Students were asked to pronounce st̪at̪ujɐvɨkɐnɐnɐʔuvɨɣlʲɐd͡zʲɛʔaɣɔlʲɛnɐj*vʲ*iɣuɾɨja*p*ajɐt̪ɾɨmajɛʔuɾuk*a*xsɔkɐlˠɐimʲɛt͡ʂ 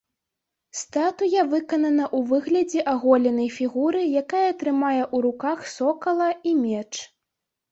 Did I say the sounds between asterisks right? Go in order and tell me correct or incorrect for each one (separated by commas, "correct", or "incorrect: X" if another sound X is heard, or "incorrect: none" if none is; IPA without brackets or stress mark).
incorrect: fʲ, incorrect: k, correct